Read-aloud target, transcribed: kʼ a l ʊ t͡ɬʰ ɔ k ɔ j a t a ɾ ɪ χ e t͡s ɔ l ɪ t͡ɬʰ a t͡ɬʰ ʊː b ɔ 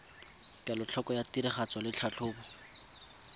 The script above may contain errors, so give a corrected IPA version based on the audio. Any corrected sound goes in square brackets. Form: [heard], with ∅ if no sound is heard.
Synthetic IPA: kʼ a l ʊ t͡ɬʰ ɔ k ɔ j a t [i] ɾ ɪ χ [a] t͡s ɔ l ɪ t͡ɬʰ a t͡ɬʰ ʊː b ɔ